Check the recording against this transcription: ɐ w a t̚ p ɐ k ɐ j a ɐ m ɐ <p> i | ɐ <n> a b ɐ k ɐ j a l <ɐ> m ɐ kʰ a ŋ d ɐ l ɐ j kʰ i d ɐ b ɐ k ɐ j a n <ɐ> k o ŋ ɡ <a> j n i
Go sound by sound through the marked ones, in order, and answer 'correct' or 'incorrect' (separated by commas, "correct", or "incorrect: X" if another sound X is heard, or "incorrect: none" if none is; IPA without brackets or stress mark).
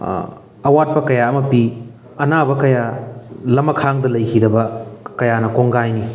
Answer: correct, correct, correct, correct, correct